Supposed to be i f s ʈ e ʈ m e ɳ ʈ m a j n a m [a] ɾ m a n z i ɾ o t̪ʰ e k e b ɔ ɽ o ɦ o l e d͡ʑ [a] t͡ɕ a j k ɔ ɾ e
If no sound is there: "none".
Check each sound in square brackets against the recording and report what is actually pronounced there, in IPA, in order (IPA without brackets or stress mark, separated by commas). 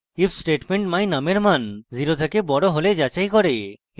e, a